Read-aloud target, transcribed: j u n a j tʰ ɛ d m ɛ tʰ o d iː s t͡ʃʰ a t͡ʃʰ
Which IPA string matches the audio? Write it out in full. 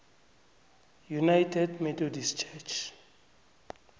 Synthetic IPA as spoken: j u n a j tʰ ɛ d m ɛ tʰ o d i s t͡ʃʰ ɛ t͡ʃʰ